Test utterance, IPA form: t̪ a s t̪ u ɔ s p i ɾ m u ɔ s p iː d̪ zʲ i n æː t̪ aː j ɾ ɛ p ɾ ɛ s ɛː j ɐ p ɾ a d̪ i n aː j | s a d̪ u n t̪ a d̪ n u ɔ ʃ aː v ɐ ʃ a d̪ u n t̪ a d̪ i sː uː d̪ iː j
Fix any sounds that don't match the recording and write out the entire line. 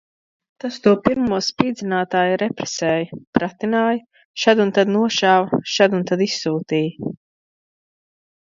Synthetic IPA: t̪ a s t̪ u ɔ p i ɾ m u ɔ s p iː d̪ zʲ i n aː t̪ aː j ɾ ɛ p ɾ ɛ s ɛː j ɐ p ɾ a t̪ i n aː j | ʃ a d̪ u n t̪ a d̪ n u ɔ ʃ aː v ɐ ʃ a d̪ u n t̪ a d̪ i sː uː t̪ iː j